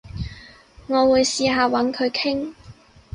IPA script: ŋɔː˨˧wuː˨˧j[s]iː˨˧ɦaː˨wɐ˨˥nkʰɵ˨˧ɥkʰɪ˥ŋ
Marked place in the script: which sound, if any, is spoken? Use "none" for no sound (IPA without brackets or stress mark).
s